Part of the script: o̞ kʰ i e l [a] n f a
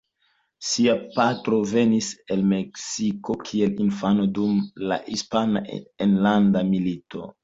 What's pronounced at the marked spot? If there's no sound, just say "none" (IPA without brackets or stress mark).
i